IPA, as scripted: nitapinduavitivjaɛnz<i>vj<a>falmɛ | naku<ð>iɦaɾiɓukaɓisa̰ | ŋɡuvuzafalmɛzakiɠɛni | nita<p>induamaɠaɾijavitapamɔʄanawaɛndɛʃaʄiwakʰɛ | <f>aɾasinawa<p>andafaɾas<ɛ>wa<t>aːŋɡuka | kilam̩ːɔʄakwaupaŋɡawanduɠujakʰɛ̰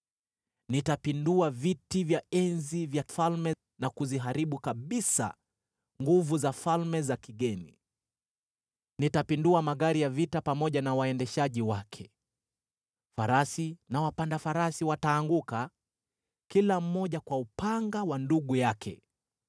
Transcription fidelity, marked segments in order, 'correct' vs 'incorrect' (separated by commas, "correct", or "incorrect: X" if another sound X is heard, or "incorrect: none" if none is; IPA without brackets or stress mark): correct, correct, incorrect: z, correct, correct, correct, incorrect: i, correct